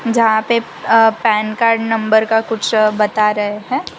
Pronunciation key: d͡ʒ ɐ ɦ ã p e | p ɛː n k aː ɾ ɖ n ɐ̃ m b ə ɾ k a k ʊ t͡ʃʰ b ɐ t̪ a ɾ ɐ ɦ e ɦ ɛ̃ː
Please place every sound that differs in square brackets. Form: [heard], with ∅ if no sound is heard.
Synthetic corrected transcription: d͡ʒ ɐ ɦ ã p e | p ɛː n k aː ɾ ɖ n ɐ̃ m b ə ɾ k a k ʊ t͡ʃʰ b ɐ t̪ a ɾ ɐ ɦ e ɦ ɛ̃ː